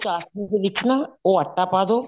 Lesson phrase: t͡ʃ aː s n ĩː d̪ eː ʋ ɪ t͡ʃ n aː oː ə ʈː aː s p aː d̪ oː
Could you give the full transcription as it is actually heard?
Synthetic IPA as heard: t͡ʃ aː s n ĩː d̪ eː ʋ ɪ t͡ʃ n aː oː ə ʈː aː p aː d̪ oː